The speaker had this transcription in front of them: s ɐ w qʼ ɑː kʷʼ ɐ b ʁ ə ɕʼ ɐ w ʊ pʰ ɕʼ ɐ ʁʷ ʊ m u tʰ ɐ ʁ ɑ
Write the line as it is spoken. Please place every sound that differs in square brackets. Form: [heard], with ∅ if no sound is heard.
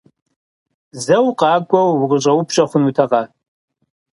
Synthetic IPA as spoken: [z] ɐ w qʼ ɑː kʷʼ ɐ [w] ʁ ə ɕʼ ɐ w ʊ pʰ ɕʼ ɐ [χʷ] ʊ [n] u tʰ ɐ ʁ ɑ